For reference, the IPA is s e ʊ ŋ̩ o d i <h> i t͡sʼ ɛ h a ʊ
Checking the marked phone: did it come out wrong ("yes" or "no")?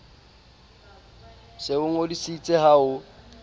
yes